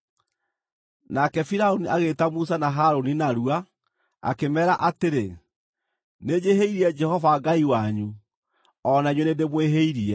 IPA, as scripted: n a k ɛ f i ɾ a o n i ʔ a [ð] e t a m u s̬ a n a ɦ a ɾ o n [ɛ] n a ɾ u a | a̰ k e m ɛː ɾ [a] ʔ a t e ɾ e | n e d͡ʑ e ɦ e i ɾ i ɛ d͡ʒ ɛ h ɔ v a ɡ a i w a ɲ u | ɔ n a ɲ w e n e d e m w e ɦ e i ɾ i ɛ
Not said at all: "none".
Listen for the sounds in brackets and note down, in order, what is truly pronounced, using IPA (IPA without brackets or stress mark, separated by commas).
ɣ, i, a